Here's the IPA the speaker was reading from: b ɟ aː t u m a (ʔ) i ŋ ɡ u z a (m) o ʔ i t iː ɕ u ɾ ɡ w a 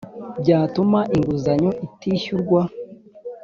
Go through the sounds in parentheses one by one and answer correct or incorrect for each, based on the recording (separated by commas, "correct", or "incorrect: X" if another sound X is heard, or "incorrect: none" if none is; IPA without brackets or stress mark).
correct, incorrect: ɲ